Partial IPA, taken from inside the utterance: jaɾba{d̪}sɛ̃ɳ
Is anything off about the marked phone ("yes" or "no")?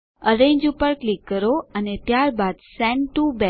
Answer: no